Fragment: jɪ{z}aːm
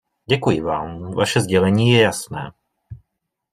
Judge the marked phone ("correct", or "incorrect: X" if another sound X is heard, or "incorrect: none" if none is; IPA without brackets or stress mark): incorrect: v